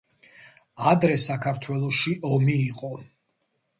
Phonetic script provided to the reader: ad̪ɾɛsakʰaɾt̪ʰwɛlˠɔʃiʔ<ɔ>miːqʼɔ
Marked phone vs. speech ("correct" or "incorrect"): correct